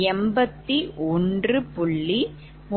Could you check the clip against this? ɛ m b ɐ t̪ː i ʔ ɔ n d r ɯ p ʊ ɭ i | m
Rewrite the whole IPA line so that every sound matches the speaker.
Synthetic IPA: ɛ m b ɐ t̪ː i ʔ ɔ n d r ɯ p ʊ ɭː i | m